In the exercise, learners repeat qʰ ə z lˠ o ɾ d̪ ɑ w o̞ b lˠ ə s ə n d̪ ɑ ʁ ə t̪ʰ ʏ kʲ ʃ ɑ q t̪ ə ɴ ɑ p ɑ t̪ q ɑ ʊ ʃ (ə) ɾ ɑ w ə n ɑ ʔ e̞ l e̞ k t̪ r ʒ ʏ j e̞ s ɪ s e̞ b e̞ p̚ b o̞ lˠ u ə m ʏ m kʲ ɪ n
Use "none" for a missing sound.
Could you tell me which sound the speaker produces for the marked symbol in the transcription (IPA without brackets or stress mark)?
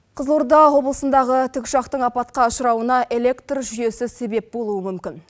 ə